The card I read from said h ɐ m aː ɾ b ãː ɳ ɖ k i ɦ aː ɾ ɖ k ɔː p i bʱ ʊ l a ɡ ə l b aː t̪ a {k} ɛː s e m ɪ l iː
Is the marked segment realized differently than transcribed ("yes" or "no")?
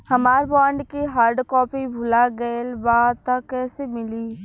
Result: no